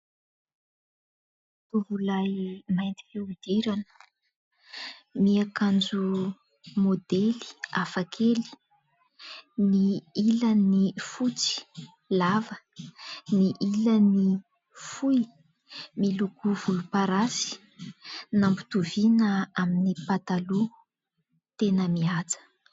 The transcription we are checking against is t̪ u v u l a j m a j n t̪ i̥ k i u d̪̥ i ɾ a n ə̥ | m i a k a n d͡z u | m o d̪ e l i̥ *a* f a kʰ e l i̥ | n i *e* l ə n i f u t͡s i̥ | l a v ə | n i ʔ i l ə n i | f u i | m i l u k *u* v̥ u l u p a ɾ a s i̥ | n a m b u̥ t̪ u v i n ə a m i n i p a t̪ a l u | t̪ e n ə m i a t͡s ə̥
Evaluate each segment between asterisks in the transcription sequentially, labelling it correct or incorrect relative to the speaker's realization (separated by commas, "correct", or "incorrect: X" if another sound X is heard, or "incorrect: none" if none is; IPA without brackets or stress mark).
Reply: correct, incorrect: i, correct